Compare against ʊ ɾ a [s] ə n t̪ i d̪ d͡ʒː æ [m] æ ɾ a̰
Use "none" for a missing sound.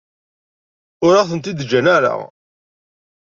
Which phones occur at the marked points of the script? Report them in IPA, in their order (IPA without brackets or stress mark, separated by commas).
θ, n